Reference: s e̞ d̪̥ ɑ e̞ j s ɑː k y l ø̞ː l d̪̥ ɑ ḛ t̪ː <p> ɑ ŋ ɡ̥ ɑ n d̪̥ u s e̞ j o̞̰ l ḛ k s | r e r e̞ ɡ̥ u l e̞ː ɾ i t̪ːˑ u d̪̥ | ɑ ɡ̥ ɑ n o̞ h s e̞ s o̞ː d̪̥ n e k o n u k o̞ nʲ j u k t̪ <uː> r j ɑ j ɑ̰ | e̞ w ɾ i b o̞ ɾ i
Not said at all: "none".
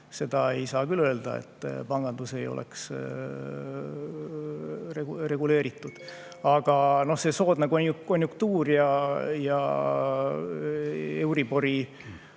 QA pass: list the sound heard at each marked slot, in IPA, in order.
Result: p, uː

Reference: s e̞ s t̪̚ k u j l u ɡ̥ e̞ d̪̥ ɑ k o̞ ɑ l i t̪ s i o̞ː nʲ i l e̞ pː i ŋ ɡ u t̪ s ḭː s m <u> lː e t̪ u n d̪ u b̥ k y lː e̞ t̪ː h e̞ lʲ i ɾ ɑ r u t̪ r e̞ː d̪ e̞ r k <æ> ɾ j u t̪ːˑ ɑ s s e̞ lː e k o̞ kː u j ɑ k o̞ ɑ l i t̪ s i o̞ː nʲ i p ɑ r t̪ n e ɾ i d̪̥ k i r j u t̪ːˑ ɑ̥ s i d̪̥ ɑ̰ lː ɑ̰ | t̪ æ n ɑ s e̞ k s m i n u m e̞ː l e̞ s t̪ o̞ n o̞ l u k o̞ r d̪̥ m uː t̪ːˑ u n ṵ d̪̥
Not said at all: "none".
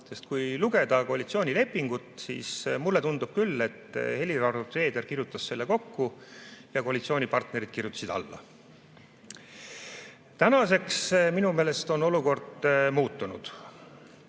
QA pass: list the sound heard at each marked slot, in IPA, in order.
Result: u, i

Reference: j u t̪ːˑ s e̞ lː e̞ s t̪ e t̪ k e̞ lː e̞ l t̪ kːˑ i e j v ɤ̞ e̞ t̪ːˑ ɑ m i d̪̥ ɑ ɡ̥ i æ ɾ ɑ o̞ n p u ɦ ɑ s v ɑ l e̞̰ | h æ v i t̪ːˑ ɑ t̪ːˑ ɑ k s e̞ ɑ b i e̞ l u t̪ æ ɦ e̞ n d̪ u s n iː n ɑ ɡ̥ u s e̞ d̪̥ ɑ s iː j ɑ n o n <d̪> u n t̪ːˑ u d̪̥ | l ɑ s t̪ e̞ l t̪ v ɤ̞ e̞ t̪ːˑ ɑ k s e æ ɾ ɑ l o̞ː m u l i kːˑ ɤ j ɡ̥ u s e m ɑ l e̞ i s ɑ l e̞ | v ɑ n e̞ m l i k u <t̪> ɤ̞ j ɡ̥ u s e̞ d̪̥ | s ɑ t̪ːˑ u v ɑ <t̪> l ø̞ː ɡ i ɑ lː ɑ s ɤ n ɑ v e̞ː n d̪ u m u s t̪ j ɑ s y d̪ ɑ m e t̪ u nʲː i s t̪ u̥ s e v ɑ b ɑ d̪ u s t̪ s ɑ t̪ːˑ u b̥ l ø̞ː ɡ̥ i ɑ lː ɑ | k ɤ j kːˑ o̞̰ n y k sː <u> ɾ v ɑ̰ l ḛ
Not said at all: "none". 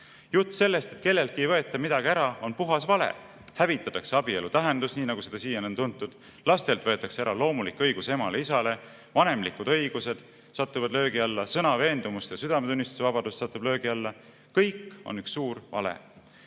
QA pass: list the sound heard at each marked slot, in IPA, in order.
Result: t̪, d̪, d̪, uː

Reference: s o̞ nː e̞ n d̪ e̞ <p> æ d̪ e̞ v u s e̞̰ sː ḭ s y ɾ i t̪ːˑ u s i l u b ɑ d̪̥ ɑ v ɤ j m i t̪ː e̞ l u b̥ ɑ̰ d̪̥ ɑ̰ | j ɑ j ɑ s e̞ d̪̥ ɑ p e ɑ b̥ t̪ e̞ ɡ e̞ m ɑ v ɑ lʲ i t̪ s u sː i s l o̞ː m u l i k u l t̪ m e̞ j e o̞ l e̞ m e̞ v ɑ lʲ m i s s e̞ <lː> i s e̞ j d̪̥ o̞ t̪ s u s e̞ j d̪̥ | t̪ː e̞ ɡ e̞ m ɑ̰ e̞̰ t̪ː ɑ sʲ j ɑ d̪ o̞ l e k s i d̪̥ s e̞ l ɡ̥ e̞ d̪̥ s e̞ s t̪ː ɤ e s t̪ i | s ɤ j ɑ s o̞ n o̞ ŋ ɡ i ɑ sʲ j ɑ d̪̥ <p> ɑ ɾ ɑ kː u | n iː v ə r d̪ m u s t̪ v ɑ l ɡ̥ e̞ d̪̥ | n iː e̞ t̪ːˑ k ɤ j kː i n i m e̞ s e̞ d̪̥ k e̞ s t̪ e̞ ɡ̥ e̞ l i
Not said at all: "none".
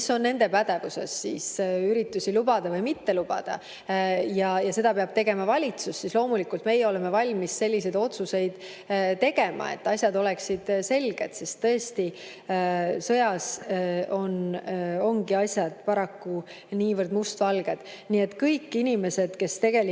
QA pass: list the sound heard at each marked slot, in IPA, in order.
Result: p, lː, p

